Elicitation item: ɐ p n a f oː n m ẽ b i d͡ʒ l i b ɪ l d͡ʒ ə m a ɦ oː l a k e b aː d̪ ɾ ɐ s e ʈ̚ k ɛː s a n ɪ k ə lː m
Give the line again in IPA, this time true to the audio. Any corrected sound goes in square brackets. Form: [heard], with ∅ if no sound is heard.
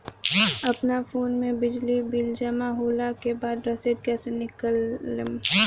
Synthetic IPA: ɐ p n a f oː n m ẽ b [ɪ] d͡ʒ l i b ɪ l d͡ʒ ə m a ɦ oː l a k e b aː d̪ ɾ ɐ s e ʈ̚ k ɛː s [e] n ɪ k ə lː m